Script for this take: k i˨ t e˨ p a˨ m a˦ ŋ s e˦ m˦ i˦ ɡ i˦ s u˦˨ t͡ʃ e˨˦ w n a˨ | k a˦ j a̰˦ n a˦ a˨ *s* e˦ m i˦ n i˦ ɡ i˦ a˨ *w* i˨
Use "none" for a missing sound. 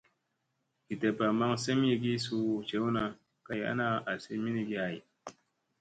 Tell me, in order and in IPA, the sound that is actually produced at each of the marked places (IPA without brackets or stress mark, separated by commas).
s, none